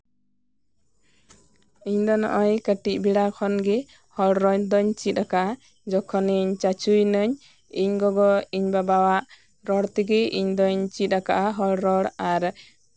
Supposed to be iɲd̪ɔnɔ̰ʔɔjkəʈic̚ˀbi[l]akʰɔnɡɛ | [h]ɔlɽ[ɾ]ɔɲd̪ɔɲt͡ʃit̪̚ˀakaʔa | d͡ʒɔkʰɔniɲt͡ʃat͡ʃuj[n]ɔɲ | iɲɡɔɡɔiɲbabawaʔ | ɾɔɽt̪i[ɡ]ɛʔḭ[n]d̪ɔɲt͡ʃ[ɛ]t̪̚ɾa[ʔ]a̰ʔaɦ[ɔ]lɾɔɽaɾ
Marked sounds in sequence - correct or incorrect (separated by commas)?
incorrect, correct, correct, correct, correct, incorrect, incorrect, incorrect, correct